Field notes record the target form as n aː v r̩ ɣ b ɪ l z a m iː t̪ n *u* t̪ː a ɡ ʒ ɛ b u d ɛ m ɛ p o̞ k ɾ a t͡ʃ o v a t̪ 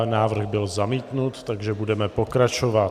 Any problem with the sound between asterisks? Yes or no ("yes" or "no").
no